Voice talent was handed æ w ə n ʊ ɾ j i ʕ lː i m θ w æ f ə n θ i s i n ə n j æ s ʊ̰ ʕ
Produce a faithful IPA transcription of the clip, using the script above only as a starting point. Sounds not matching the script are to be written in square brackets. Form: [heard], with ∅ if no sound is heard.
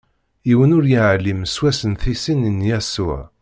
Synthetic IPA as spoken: [i] w ə n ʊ ɾ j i ʕ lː i m [s] w æ [s] ə n θ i s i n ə n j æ s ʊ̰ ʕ

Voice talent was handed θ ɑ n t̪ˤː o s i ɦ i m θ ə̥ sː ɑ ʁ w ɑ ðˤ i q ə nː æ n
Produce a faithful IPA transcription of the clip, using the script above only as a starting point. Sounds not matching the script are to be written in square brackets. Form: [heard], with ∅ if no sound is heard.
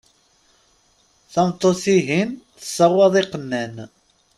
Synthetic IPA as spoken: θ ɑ [m] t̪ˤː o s i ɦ i [n] θ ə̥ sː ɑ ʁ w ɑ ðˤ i q ə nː æ n

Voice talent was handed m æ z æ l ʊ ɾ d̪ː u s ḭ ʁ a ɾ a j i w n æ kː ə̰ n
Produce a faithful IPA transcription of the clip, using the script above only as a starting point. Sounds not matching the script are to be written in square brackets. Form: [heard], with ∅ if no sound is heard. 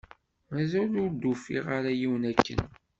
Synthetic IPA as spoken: m æ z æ l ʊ ɾ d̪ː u [f] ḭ ʁ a ɾ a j i w n æ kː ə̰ n

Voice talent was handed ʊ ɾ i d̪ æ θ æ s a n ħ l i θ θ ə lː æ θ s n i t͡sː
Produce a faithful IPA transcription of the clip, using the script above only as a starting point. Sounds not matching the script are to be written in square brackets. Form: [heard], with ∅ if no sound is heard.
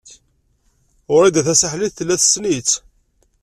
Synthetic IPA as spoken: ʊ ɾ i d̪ æ θ æ s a [∅] ħ l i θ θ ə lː æ θ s n i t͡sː

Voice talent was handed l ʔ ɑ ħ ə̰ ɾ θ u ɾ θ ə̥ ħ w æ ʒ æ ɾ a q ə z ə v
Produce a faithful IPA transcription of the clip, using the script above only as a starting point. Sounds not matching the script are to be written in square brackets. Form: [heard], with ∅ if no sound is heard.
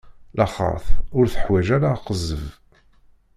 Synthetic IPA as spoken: l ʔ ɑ [χ] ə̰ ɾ θ [ʊ] ɾ θ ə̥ ħ w æ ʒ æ ɾ a q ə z ə v

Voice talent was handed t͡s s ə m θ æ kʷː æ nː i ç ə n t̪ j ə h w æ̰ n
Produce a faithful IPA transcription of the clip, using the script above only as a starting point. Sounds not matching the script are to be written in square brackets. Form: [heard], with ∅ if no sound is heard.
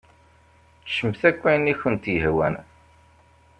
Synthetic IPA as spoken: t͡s [ʃ] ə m θ æ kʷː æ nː i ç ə n t̪ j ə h w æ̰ n

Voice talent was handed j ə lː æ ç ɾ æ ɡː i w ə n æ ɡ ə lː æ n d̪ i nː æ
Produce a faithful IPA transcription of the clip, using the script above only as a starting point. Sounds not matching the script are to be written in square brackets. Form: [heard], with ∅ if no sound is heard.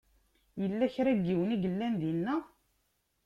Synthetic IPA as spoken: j ə lː æ ç ɾ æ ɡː i w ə n [i] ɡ ə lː æ n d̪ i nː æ

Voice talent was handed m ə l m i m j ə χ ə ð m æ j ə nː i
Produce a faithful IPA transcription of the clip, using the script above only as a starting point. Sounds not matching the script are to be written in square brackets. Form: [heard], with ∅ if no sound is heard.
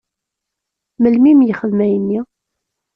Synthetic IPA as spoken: m ə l m i m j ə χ ə ð m æ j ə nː i

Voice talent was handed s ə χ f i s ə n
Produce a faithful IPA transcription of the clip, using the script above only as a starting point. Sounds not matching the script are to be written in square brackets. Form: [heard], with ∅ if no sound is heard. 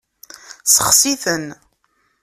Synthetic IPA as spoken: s ə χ [s] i [θ] ə n

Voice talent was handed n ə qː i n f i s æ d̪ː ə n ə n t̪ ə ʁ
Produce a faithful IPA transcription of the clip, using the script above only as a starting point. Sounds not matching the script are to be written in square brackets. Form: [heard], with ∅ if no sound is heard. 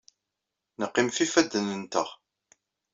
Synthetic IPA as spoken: n ə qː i [m] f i [f] æ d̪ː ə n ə n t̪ ə ʁ

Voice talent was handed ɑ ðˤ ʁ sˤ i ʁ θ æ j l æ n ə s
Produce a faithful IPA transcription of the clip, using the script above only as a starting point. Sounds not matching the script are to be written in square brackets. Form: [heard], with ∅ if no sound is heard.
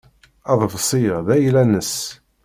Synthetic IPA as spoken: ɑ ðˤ [v] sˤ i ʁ [ð] æ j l æ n ə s

